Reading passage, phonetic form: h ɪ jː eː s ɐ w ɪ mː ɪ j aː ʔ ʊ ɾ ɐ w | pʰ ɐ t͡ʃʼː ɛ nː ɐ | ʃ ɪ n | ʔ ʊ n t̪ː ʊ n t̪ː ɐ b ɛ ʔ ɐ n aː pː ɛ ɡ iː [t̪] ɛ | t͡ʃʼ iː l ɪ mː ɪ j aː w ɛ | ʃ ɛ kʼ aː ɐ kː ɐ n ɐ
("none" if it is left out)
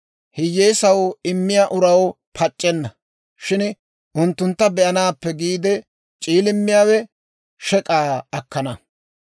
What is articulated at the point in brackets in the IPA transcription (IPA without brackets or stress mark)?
d̪